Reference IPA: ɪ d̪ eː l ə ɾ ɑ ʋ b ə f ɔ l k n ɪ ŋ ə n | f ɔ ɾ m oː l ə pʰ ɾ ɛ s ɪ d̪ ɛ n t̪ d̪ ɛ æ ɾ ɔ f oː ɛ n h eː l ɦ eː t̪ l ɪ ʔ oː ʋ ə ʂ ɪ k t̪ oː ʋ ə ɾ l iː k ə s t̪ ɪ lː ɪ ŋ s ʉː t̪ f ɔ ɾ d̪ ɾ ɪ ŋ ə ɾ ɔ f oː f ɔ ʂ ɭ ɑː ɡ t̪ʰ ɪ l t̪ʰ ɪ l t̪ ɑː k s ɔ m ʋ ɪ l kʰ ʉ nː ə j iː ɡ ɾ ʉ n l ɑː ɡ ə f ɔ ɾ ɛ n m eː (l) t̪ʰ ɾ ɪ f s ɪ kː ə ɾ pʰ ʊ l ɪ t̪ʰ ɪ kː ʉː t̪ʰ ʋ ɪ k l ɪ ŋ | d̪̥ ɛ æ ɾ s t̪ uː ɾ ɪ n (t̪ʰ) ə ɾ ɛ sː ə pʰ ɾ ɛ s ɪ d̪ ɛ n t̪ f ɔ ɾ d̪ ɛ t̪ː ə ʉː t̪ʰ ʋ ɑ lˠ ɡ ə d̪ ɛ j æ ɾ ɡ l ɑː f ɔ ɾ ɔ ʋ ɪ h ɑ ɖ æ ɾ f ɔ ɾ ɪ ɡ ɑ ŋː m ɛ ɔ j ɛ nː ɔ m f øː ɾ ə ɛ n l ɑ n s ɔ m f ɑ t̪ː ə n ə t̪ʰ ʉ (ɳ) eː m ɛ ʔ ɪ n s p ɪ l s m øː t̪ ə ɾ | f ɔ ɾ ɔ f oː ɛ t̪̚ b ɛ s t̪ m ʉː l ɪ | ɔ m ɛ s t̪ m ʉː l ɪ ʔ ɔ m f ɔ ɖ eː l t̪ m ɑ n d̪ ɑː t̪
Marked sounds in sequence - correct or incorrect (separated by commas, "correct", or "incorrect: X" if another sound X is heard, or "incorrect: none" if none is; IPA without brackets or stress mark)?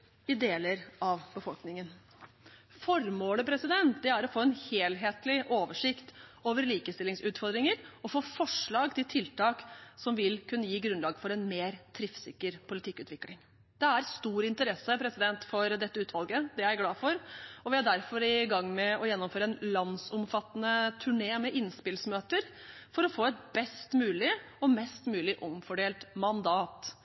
incorrect: ɾ, incorrect: t̪, correct